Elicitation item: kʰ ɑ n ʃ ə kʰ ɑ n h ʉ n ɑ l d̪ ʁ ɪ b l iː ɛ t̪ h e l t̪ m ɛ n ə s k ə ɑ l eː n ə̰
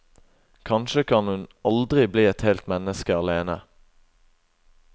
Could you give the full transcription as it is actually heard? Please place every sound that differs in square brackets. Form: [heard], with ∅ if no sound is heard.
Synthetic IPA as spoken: kʰ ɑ n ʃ ə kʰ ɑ n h ʉ n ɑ l d̪ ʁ ɪ b l iː ɛ t̪ h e l t̪ m ɛ n ə s k ə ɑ l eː n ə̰